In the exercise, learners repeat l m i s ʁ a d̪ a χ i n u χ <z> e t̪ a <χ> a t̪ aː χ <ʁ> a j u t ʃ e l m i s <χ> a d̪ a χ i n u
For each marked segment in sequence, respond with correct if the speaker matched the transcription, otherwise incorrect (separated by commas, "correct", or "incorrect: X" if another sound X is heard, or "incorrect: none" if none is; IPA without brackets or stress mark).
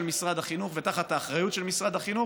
incorrect: v, correct, correct, incorrect: ʁ